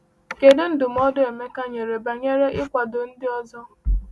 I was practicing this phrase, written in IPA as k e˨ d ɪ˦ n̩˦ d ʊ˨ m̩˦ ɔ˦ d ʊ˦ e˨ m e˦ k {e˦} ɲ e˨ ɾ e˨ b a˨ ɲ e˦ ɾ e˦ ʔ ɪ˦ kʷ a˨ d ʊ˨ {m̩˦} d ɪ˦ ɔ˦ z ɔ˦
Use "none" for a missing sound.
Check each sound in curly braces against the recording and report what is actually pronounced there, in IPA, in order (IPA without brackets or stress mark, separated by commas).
a˦, n̩˦